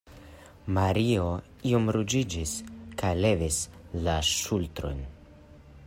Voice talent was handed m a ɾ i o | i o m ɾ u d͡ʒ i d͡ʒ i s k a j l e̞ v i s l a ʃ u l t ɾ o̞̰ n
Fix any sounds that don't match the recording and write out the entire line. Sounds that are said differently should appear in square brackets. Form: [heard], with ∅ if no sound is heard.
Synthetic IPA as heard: m a ɾ i o | i o m ɾ u d͡ʒ i d͡ʒ i s k a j l e̞ v i s l a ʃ u l t ɾ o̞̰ n